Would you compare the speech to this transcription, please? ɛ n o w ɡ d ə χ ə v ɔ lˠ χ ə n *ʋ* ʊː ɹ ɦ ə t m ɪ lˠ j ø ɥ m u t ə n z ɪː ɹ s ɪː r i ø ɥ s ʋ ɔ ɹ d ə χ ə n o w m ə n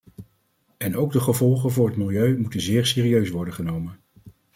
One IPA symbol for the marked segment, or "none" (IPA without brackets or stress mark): v